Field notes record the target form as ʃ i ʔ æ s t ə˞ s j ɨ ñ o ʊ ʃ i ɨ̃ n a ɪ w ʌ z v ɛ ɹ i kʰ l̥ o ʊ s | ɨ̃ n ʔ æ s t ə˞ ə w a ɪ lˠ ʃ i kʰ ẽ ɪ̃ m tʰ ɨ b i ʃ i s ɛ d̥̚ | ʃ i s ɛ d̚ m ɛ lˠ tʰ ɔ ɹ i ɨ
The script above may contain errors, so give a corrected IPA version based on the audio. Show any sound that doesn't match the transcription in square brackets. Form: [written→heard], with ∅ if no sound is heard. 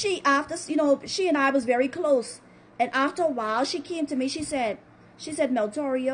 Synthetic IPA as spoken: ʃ i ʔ æ [s→f] t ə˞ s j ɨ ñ o ʊ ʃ i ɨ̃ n a ɪ w ʌ z v ɛ ɹ i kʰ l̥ o ʊ s | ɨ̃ n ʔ æ [s→f] t ə˞ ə w a ɪ lˠ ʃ i kʰ ẽ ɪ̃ m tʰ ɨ [b→m] i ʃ i s ɛ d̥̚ | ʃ i s ɛ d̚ m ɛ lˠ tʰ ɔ ɹ i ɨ